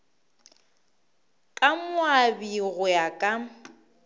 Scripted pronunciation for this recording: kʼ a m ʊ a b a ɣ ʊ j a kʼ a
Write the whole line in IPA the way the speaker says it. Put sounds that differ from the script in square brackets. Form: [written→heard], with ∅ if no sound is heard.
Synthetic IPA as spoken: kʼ a m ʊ a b [a→i] ɣ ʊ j a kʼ a